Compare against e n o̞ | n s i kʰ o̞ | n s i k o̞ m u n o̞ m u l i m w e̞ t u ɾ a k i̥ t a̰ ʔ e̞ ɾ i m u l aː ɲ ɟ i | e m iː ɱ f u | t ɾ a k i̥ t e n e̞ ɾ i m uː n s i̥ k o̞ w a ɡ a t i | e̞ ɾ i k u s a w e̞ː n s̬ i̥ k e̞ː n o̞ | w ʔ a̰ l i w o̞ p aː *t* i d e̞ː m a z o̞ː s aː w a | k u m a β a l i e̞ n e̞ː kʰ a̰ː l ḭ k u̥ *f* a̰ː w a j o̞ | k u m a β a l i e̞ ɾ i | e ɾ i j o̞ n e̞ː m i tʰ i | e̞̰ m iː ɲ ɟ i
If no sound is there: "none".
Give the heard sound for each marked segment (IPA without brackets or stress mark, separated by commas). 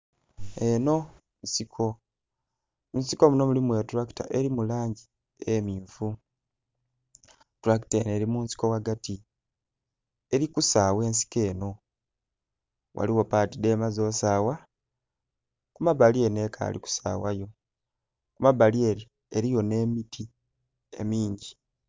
t, s